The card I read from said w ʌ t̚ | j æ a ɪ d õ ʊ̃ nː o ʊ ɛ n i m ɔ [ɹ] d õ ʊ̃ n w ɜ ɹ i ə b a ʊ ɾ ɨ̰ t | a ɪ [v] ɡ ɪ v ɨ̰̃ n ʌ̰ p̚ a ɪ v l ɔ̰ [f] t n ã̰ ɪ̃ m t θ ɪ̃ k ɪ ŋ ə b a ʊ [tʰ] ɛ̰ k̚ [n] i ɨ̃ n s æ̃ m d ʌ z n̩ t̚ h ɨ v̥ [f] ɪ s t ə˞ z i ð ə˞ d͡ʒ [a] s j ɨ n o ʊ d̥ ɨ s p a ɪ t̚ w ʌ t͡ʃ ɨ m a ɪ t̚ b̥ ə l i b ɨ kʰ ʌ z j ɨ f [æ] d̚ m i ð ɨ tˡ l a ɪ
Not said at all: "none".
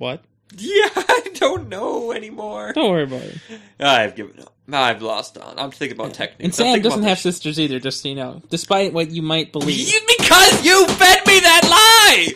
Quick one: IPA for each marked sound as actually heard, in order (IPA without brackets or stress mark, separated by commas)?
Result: ɹ, v, s, tʰ, n, s, ʌ, ɛ